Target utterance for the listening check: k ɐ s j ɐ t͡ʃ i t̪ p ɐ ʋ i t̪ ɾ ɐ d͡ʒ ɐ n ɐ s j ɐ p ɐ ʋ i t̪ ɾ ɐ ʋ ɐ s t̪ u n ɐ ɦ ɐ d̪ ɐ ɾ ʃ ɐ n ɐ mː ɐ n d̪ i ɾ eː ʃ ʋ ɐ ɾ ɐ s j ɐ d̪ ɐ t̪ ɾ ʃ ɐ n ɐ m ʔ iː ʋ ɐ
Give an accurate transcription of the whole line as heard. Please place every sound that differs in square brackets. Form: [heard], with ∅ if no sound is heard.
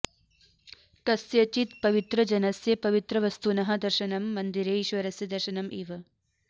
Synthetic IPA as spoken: k ɐ s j ɐ t͡ʃ i t̪ p ɐ ʋ i t̪ ɾ ɐ d͡ʒ ɐ n ɐ s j ɐ p ɐ ʋ i t̪ ɾ ɐ ʋ ɐ s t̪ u n ɐ ɦ ɐ d̪ ɐ ɾ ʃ ɐ n ɐ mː ɐ n d̪ i ɾ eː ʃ ʋ ɐ ɾ ɐ s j ɐ d̪ ɐ [∅] ɾ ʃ ɐ n ɐ m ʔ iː ʋ ɐ